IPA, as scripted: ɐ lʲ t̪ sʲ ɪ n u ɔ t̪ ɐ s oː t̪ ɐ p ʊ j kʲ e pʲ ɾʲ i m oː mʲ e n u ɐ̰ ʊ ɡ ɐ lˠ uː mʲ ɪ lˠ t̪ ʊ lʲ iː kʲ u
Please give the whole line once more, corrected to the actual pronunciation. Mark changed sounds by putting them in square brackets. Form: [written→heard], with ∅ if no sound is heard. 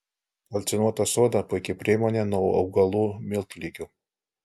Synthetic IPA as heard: ɐ lʲ t̪ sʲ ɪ n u ɔ t̪ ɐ s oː [t̪→d̪] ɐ p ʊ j kʲ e pʲ ɾʲ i m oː [mʲ→nʲ] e n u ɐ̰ ʊ ɡ ɐ lˠ uː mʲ ɪ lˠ t̪ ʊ lʲ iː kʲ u